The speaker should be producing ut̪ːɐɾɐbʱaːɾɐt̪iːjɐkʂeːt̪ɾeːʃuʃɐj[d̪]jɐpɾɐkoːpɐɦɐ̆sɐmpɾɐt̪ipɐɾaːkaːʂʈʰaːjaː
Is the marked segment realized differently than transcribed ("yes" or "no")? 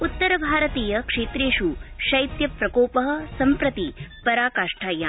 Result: yes